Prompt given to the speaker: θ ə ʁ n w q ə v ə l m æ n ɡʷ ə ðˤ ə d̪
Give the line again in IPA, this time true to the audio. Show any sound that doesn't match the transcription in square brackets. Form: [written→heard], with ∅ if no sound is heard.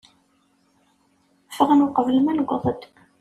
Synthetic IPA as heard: [θ→f] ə ʁ n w q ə v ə l m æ n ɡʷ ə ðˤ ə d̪